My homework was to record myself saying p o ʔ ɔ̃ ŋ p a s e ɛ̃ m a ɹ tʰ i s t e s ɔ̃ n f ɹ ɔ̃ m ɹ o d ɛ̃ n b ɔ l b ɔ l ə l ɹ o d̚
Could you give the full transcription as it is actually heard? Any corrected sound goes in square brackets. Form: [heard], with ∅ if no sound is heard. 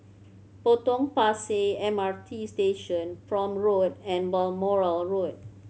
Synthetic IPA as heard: p o [t] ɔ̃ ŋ p a s e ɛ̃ m a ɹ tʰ i s t e [ʃ] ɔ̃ n f ɹ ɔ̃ m ɹ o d ɛ̃ n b ɔ l [m] ɔ [ɹ] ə l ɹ o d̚